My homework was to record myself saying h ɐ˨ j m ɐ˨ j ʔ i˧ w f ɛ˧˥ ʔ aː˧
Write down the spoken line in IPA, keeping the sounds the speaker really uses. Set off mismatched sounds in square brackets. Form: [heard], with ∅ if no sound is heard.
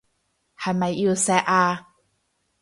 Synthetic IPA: h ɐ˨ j m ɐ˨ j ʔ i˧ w [s] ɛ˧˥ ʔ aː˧